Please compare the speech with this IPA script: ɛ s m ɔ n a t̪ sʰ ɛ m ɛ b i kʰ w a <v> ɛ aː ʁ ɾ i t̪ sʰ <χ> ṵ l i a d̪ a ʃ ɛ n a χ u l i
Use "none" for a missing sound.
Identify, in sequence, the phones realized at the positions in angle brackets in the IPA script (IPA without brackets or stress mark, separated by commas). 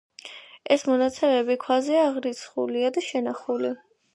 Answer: z, χ